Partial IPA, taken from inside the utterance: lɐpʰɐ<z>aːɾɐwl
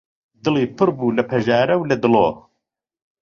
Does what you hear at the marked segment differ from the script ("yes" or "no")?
yes